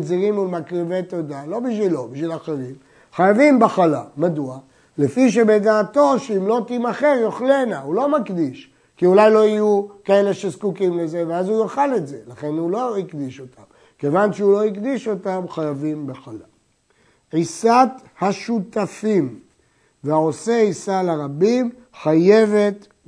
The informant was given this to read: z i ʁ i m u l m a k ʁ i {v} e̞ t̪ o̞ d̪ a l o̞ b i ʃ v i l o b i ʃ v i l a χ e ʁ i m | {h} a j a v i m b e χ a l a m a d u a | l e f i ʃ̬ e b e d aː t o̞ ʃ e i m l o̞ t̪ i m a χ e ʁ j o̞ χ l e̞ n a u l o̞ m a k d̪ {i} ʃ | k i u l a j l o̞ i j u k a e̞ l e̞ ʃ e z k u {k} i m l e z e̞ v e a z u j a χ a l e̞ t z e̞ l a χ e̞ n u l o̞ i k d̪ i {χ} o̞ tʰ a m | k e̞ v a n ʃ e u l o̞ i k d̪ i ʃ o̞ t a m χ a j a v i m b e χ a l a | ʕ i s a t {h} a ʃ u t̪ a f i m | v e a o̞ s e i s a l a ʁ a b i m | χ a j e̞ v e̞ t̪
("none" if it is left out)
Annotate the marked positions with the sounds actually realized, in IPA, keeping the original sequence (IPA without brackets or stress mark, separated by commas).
v, χ, i, k, ʃ, h